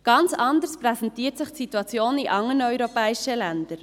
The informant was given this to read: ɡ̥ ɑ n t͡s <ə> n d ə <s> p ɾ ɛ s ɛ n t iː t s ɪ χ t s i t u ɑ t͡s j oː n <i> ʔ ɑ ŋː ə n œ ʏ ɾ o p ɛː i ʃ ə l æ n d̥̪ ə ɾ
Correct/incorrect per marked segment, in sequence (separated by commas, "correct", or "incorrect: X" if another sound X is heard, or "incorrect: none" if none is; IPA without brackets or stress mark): incorrect: ɑ, correct, correct